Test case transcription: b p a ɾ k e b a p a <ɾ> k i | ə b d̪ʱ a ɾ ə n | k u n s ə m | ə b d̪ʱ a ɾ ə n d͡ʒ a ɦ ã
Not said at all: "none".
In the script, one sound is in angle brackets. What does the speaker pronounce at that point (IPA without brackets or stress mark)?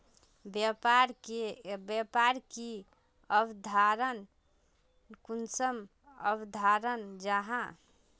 ɾ